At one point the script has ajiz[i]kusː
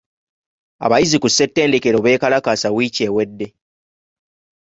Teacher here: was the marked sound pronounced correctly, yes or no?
yes